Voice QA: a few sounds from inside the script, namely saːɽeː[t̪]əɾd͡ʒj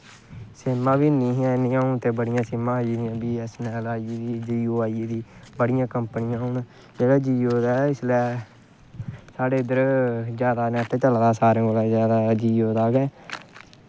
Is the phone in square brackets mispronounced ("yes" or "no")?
yes